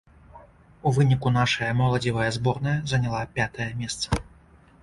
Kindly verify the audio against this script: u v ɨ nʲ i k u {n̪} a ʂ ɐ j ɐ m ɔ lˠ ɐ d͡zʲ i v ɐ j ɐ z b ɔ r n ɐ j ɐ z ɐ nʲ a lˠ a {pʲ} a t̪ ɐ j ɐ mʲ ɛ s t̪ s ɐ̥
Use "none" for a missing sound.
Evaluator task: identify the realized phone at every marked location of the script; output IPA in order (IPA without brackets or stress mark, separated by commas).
n̪, pʲ